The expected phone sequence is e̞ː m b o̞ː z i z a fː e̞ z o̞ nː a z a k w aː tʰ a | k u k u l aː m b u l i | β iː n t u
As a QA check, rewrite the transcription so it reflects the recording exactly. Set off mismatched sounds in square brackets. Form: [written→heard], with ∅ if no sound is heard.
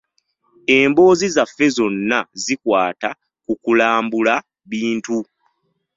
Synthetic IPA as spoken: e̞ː m b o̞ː z i z a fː e̞ z o̞ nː a z [a→i] k w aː [tʰ→t] a | k u k u l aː m b u l [i→a] | β iː n t u